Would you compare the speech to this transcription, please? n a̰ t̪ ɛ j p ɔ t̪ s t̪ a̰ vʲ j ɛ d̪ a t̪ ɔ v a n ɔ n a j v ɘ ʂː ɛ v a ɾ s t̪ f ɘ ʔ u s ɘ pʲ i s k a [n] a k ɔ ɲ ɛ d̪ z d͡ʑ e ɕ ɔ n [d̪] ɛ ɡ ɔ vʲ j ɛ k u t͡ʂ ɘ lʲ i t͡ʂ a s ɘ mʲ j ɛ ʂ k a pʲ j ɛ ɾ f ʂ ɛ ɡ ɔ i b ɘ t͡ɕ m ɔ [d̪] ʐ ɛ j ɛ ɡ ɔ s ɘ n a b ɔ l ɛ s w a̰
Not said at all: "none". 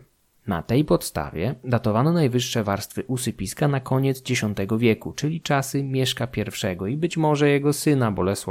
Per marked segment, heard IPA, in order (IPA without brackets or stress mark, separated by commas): n, t̪, none